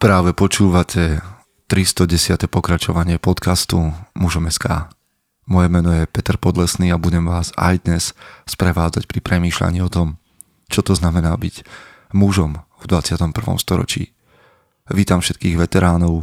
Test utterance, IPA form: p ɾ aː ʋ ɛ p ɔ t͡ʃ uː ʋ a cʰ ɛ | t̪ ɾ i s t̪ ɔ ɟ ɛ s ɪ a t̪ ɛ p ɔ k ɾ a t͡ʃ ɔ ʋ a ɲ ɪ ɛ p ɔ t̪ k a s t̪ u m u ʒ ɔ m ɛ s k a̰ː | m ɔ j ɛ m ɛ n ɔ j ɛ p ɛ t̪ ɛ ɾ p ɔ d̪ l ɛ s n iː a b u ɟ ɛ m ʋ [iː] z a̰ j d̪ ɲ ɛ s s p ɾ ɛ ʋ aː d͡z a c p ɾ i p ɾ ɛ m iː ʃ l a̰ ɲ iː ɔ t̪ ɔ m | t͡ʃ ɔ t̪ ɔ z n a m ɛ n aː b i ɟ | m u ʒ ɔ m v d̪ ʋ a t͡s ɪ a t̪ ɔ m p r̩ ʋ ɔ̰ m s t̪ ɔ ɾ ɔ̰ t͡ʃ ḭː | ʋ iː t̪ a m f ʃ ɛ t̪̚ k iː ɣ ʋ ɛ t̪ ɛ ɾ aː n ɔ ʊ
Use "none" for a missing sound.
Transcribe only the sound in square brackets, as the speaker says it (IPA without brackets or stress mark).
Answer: aː